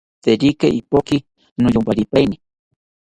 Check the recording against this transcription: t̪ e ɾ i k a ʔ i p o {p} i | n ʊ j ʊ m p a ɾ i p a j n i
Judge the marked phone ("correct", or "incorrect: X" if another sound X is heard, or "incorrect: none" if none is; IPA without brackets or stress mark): incorrect: k